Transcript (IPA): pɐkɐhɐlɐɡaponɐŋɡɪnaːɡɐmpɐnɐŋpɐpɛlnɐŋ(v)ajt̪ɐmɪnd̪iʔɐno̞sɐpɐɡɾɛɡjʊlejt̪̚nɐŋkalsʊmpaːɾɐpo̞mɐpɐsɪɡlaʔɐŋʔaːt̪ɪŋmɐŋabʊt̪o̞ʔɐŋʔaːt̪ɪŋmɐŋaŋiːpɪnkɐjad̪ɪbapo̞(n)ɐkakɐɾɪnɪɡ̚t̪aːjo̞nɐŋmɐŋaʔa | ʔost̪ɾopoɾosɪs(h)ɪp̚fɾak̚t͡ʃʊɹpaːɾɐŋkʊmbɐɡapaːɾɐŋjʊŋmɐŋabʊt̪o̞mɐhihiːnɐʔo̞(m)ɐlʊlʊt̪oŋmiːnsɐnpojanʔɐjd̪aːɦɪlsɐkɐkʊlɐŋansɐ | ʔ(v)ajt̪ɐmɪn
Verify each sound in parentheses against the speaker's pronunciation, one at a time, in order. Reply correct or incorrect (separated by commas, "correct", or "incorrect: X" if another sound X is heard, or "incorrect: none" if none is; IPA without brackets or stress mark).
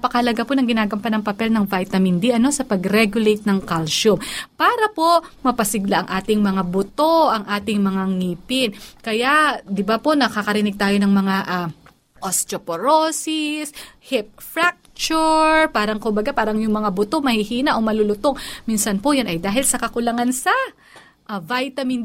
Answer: correct, correct, correct, correct, correct